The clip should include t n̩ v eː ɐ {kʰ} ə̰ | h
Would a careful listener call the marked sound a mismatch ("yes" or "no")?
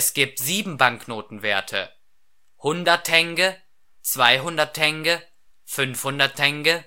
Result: yes